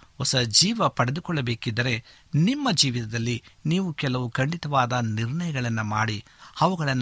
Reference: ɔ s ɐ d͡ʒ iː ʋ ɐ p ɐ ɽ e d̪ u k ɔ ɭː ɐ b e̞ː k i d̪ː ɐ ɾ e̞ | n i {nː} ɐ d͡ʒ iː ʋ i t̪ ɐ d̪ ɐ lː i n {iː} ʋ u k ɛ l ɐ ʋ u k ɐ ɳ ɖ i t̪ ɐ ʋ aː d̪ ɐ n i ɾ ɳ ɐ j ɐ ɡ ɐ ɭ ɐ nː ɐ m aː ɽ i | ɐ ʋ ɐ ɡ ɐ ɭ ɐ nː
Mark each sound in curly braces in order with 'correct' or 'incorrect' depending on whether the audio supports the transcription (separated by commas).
incorrect, correct